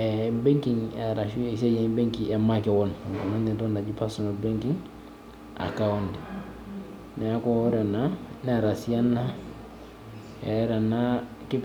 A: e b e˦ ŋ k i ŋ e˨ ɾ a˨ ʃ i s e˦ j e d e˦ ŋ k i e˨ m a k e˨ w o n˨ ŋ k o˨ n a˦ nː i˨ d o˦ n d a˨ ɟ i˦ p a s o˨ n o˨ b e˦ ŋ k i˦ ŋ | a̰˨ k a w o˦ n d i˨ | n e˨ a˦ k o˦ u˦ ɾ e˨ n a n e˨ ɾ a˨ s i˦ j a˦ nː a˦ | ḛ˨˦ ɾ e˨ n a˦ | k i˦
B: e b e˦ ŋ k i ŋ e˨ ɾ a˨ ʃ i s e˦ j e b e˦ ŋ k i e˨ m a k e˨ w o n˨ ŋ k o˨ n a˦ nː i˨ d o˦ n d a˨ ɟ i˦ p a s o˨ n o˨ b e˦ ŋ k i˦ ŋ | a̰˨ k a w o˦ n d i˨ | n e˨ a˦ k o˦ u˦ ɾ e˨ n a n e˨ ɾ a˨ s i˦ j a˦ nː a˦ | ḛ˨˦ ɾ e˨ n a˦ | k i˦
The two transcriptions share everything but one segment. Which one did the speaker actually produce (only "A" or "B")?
B